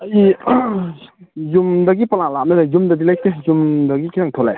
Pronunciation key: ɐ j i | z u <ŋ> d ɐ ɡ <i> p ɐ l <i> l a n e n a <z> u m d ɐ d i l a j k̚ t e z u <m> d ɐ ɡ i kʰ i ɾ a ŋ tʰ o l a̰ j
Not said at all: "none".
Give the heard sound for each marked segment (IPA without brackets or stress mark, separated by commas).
m, i, a, z, m